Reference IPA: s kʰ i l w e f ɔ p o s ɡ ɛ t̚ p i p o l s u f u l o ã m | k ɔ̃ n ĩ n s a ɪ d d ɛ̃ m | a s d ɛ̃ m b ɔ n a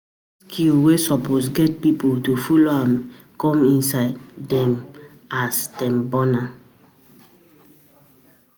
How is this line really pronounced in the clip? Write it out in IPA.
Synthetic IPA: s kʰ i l w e s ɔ p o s ɡ ɛ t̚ p i p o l t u f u l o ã m | k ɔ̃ m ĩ n s a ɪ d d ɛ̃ m | a s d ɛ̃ m b ɔ n a

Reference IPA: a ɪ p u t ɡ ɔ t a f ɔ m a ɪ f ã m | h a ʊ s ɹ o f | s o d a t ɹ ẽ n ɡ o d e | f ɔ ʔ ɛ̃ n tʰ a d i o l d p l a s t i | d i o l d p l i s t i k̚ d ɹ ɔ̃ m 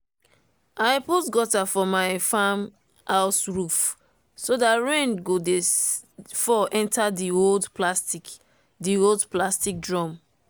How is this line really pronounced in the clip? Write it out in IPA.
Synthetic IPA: a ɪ p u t ɡ ɔ t a f ɔ m a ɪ f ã m | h a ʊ s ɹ u f | s o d a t ɹ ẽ n ɡ o d e | f ɔ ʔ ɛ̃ n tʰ a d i o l d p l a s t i | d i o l d p l a s t i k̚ d ɹ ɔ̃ m

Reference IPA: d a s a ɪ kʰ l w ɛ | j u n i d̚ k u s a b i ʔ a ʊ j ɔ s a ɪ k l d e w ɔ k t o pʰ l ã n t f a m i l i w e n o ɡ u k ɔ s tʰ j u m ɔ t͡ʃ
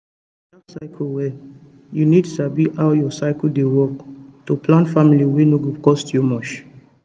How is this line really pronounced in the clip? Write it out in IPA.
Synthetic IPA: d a s a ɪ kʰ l w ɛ | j u n i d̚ t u s a b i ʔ a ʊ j ɔ s a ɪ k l d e w ɔ k t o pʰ l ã n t f a m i l i w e n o ɡ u k ɔ s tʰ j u m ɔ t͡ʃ

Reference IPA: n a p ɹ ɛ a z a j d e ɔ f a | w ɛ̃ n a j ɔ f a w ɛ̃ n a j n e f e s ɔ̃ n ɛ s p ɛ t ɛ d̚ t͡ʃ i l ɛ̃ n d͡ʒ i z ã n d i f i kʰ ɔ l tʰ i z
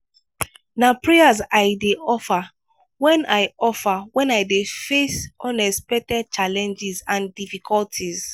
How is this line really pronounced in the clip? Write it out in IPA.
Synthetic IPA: n a p ɹ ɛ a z a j d e ɔ f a | w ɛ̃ n a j ɔ f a w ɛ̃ n a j d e f e s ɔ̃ n ɛ s p ɛ t ɛ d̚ t͡ʃ a l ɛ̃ n d͡ʒ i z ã n d i f i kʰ ɔ l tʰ i z

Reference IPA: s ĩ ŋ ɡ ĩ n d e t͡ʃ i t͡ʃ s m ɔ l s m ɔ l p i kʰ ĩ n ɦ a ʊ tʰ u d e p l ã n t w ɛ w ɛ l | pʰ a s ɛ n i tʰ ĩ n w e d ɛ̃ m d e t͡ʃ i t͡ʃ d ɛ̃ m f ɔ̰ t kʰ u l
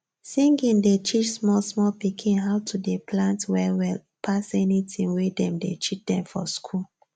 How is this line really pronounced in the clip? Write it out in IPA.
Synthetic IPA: s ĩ ŋ ɡ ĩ n d e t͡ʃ i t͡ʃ s m ɔ l s m ɔ l p i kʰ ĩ n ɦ a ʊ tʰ u d e p l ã n t w ɛ w ɛ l | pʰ a s ɛ n i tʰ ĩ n w e d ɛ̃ m d e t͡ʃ i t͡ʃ d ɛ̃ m f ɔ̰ s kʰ u l

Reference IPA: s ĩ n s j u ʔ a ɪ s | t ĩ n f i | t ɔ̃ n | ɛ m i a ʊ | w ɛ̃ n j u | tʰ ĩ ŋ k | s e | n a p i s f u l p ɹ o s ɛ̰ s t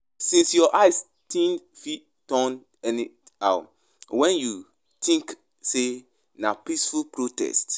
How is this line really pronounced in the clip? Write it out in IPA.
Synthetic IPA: s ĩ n s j ɔ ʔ a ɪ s | t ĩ n f i | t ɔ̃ n | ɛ n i a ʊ | w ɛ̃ n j u | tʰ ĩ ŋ k | s e | n a p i s f u l p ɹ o t ɛ̰ s t

